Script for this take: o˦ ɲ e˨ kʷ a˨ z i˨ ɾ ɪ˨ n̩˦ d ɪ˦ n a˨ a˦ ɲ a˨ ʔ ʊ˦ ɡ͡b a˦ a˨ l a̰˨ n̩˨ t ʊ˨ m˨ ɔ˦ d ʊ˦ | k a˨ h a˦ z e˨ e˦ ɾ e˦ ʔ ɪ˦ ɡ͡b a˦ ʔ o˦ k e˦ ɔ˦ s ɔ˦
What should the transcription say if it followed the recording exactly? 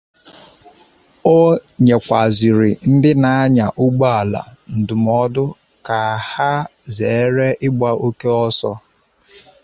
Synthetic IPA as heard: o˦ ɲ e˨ kʷ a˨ z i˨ ɾ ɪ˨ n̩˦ d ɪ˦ n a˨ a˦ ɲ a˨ ʔ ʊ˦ ɡ͡b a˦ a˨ l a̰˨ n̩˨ d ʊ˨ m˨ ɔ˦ d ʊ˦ | k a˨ h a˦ z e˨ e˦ ɾ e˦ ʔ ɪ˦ ɡ͡b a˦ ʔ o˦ k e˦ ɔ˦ s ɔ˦